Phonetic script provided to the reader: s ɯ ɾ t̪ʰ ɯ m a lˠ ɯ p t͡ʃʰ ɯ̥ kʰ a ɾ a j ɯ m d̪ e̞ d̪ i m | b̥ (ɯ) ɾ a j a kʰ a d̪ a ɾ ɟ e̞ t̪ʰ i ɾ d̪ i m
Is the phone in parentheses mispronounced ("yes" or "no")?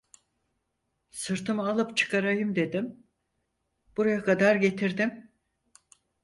yes